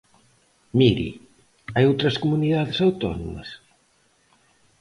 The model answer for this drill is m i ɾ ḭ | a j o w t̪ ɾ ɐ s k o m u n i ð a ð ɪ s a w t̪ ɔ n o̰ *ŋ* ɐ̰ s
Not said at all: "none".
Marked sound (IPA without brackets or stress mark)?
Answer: m